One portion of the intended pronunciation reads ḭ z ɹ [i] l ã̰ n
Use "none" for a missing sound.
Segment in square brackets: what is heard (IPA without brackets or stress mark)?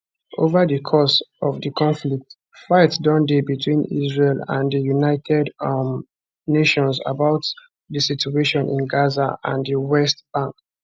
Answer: e